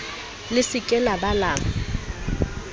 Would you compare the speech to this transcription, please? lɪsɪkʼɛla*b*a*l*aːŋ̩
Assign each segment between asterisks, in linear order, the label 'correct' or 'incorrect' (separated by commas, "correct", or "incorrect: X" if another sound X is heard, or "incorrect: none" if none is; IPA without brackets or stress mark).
correct, correct